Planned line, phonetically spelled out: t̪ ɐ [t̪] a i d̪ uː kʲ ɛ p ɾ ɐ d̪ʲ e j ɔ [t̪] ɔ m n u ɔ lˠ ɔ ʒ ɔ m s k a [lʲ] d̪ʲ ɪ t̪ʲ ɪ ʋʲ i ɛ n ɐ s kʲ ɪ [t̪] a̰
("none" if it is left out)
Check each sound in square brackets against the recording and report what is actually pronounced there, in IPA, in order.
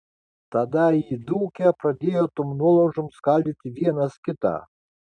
d̪, t̪, lʲ, t̪

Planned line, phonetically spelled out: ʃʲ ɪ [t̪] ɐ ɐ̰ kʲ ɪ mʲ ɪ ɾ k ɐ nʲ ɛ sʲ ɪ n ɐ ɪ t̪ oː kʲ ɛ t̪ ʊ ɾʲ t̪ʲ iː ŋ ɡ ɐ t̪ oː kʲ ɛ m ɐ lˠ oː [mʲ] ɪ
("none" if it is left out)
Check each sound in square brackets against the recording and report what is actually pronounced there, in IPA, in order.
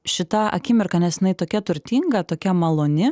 t̪, nʲ

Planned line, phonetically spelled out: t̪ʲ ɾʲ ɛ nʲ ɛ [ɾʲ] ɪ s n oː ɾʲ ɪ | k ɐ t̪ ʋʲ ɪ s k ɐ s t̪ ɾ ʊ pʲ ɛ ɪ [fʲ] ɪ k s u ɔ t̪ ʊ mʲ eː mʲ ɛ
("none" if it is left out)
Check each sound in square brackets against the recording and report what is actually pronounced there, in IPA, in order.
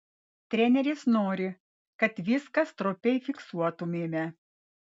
ɾʲ, fʲ

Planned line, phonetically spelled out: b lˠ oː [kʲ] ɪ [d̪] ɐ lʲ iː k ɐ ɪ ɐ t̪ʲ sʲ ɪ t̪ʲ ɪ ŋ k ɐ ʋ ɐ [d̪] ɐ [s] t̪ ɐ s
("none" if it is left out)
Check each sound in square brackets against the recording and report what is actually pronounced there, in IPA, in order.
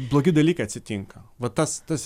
ɡʲ, d̪, t̪, s

